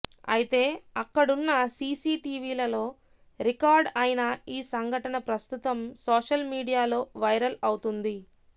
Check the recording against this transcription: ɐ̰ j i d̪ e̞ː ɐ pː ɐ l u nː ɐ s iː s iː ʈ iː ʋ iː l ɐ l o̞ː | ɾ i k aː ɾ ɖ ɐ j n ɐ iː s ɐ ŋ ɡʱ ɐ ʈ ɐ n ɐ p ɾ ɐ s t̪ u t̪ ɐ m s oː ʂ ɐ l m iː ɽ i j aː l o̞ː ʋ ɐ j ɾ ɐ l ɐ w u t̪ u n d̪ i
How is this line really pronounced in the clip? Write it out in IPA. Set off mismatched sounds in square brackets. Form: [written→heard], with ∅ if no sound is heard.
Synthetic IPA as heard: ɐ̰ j i [d̪→t̪] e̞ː ɐ [pː→kː] ɐ [l→ɽ] u nː ɐ s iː s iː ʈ iː ʋ iː l ɐ l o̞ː | ɾ i k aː ɾ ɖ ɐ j n ɐ iː s ɐ ŋ ɡʱ ɐ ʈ ɐ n ɐ p ɾ ɐ s t̪ u t̪ ɐ m s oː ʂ ɐ l m iː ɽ i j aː l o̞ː ʋ ɐ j ɾ ɐ l ɐ w u t̪ u n d̪ i